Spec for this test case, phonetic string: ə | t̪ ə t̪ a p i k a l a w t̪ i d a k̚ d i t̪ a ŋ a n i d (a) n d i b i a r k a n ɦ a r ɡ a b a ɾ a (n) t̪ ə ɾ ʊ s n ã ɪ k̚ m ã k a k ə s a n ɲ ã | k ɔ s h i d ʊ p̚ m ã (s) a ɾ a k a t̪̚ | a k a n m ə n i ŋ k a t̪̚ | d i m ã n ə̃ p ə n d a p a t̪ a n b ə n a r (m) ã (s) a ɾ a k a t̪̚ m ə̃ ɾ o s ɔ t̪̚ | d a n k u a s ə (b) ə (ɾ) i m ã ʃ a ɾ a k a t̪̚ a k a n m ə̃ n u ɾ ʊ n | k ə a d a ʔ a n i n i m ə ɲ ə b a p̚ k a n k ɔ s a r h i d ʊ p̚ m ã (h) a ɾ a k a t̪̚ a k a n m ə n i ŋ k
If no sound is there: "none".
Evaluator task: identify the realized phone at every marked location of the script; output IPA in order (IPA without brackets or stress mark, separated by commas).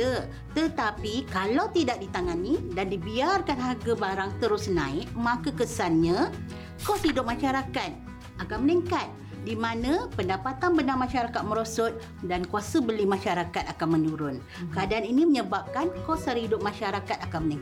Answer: a, ŋ, ʃ, m, ʃ, b, l, ʃ